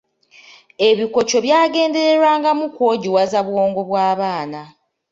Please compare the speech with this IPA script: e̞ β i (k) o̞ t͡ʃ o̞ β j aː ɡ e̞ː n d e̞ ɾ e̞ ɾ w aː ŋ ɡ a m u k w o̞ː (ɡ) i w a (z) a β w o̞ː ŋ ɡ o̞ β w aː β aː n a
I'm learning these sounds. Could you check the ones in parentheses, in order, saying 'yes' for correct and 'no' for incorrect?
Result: yes, no, yes

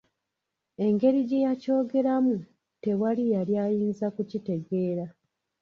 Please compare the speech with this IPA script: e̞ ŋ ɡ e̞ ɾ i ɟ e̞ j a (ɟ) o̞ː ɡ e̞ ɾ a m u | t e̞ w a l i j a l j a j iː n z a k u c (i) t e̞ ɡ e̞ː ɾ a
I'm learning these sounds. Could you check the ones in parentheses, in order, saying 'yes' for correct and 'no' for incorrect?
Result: no, yes

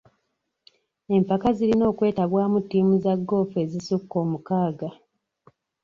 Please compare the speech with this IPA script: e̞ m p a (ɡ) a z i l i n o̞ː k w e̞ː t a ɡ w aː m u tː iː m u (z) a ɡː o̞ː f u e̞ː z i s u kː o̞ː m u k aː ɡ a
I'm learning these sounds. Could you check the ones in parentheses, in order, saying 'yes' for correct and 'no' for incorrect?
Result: no, yes

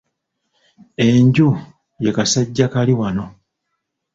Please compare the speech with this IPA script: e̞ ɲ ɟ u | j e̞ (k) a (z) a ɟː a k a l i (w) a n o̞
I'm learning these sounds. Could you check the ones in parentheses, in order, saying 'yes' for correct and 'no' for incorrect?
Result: yes, no, yes

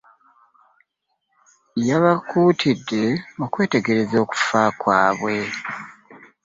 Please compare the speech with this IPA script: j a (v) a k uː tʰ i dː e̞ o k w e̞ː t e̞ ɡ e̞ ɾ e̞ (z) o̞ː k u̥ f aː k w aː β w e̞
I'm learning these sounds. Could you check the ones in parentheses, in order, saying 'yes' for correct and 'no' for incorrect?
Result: no, yes

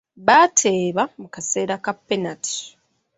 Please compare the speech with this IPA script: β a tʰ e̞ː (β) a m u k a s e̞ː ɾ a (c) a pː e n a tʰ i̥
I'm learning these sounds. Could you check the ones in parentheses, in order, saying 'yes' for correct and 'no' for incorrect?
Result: yes, no

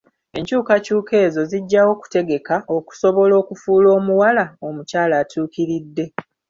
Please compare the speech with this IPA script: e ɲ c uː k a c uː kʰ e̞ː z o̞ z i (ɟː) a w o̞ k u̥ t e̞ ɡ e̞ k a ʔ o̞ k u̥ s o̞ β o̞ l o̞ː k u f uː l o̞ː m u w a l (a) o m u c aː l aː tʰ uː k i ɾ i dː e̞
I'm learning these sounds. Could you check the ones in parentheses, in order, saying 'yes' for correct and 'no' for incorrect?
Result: yes, yes

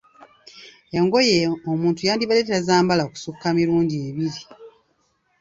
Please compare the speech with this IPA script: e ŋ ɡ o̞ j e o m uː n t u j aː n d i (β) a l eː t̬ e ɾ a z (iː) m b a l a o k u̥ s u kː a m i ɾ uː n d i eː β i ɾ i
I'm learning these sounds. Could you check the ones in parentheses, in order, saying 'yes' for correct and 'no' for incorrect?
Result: yes, no

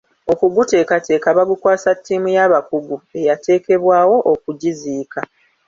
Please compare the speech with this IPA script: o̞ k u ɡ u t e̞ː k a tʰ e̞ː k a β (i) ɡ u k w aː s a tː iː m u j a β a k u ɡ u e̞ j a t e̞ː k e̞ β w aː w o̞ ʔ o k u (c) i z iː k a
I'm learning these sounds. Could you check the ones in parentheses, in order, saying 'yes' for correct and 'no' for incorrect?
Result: no, no

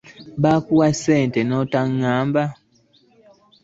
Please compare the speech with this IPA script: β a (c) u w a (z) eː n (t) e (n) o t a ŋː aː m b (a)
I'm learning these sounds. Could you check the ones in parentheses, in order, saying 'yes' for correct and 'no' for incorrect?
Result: no, no, yes, yes, yes

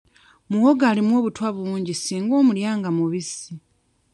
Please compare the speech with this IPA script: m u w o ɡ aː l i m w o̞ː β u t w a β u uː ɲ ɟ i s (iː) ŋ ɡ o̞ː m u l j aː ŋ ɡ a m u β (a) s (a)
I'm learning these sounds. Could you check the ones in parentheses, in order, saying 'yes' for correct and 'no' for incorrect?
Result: yes, no, no

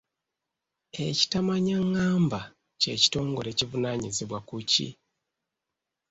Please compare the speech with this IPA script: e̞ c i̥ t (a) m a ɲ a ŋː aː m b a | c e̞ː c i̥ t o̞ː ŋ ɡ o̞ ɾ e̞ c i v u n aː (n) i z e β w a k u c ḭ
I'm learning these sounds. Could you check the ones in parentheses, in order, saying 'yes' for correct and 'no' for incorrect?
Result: yes, no

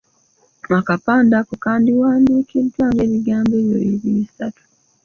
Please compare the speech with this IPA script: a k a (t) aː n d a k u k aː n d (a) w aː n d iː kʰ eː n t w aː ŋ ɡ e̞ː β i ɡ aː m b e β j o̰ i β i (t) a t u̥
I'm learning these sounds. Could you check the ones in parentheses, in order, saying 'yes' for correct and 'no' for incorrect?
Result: no, no, no

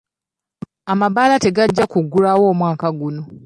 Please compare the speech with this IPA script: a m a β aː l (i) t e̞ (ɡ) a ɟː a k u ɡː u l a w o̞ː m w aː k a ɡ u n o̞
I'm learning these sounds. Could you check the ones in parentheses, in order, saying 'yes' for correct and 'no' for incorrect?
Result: no, yes

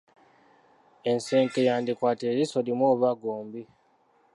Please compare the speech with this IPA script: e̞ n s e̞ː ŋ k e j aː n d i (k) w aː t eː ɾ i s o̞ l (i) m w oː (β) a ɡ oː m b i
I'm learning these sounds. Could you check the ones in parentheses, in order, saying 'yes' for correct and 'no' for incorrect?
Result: yes, yes, yes

